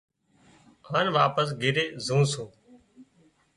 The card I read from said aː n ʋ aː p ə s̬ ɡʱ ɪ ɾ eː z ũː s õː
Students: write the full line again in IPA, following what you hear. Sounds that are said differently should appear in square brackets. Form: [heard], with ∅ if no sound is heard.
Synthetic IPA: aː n ʋ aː p ə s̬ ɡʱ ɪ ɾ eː z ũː s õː